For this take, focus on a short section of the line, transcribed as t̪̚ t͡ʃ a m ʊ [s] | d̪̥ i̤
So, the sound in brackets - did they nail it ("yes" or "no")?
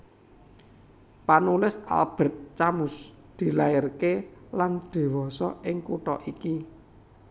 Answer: yes